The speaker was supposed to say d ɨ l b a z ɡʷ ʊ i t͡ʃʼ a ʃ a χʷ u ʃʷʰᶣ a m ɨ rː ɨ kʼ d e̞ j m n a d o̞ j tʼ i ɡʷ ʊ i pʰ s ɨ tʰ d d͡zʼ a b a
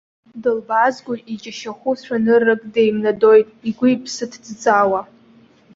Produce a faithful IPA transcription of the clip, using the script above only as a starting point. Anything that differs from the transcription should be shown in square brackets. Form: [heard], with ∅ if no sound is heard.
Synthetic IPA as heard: d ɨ l b a z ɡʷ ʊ i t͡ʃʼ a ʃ a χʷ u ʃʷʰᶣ a [n] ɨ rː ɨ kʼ d e̞ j m n a d o̞ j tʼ i ɡʷ ʊ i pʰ s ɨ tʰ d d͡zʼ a [w] a